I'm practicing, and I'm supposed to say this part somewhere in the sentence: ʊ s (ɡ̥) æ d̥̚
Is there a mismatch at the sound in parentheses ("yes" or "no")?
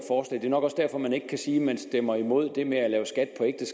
no